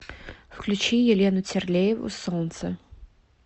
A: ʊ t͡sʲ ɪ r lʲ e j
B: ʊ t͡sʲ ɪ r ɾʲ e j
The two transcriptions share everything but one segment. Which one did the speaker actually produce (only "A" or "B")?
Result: A